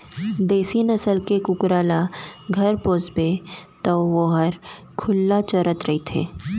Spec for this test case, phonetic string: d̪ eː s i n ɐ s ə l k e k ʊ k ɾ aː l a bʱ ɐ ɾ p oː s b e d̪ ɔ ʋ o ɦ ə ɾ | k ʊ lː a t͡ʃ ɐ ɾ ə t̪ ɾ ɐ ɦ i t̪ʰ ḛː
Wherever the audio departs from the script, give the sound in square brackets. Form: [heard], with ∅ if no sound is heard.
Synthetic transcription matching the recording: d̪ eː s i n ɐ s ə l k e k ʊ k ɾ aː l a [ɡʱ] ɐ ɾ p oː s b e [t̪] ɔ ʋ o ɦ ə ɾ | [kʰ] ʊ lː a t͡ʃ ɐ ɾ ə t̪ ɾ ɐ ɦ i t̪ʰ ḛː